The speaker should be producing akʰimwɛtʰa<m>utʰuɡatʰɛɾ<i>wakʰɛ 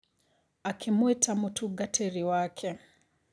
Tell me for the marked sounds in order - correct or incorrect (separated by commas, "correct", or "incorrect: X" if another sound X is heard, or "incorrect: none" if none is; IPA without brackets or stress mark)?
correct, correct